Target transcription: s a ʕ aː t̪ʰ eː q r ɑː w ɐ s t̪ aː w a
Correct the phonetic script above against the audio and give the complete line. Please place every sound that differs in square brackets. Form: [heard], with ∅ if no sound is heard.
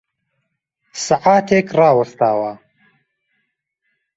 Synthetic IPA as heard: s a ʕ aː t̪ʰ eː [k] r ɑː w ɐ s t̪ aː w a